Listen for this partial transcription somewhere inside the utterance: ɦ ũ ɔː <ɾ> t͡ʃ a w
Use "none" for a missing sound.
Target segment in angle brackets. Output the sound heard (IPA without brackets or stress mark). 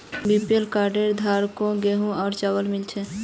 ɾ